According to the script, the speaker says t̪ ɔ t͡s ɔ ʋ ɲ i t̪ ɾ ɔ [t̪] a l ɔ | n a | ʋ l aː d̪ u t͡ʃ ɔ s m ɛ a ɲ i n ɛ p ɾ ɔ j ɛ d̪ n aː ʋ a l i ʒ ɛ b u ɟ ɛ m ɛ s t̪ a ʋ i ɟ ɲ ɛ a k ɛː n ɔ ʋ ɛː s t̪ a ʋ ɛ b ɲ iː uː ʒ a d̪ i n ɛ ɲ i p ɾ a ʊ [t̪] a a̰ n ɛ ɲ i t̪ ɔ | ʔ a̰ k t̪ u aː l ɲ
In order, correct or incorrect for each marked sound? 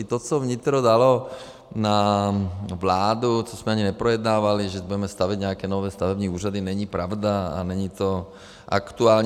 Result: incorrect: d̪, incorrect: d̪

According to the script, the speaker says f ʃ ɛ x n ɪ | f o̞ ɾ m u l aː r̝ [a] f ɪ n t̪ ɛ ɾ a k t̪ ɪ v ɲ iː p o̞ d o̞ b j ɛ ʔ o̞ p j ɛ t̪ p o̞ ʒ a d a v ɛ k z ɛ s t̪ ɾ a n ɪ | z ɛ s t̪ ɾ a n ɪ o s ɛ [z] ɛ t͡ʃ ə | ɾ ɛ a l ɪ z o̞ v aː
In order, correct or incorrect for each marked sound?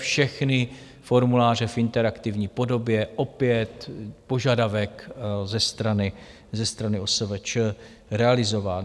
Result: incorrect: ɛ, incorrect: v

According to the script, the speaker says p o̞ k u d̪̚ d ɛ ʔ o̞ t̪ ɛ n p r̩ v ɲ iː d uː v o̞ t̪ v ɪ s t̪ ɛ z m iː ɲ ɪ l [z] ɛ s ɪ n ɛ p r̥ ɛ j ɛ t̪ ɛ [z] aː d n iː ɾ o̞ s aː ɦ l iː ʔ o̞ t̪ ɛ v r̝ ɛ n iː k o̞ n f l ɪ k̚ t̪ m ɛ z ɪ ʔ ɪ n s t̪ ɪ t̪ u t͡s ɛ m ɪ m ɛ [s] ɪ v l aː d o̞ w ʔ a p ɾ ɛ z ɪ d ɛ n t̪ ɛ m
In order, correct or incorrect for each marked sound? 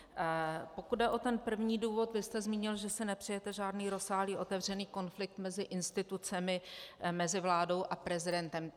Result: incorrect: ʒ, incorrect: ʒ, incorrect: z

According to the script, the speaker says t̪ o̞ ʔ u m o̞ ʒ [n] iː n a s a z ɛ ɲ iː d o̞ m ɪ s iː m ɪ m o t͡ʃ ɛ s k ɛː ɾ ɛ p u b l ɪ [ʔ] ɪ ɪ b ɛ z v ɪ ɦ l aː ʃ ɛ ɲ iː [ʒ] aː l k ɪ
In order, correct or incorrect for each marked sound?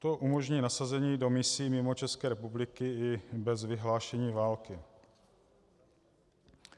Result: incorrect: ɲ, incorrect: k, incorrect: v

